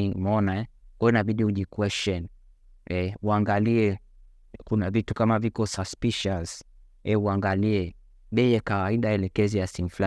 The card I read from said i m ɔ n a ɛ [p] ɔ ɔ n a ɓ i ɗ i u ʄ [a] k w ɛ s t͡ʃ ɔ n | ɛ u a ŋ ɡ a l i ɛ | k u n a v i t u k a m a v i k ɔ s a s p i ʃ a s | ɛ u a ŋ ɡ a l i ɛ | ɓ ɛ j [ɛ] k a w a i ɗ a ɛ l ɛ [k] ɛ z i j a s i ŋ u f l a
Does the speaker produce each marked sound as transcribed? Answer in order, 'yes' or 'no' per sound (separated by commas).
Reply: no, no, yes, yes